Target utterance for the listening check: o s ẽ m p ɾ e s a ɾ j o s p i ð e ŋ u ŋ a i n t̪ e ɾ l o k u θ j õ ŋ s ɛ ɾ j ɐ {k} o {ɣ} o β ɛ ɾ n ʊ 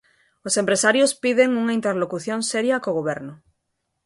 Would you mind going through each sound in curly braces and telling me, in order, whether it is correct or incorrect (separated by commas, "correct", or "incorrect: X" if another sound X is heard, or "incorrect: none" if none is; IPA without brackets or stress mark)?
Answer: correct, correct